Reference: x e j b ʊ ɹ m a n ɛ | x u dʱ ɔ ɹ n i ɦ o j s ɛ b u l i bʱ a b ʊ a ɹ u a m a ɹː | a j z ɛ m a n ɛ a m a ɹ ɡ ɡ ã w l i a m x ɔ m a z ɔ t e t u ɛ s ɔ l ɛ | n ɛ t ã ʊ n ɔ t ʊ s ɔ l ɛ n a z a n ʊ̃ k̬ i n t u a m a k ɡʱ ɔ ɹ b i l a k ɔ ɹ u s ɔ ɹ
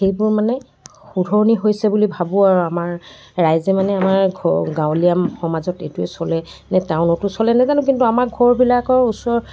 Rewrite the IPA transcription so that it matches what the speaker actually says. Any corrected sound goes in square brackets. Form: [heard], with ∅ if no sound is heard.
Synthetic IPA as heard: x e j b ʊ ɹ m a n ɛ | x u dʱ ɔ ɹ n i ɦ o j s ɛ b u l i bʱ a b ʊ a ɹ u a m a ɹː | a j z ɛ m a n ɛ a m a ɹ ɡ ɡ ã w l i a m x ɔ m a z ɔ t e t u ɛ s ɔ l ɛ | n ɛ t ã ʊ n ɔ t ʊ s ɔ l ɛ n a z a n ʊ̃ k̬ i n t u a m a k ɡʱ ɔ ɹ b i l a k ɔ ɹ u s ɔ ɹ